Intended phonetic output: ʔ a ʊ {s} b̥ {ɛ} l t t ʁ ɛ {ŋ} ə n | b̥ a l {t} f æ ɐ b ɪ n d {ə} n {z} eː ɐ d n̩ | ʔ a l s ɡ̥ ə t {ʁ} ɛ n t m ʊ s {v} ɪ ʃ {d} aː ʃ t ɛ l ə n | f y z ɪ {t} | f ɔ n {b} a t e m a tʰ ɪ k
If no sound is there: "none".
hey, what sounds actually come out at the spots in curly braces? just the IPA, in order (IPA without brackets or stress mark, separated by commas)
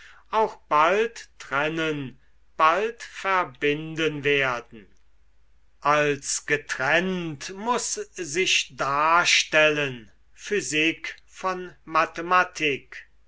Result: x, a, n, t, ə, v, ʁ, z, d, k, m